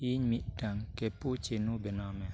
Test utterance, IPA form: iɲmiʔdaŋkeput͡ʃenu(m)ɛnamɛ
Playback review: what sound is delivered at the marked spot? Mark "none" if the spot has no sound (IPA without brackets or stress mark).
b